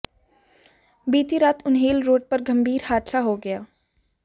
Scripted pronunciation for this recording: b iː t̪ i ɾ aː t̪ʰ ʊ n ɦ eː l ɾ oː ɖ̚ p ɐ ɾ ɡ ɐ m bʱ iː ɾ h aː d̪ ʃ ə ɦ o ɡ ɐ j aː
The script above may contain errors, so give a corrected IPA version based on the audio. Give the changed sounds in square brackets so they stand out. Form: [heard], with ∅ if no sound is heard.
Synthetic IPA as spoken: b iː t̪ i ɾ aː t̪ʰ ʊ n ɦ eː l ɾ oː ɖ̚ p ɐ ɾ ɡ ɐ m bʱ iː ɾ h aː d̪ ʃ [a] ɦ o ɡ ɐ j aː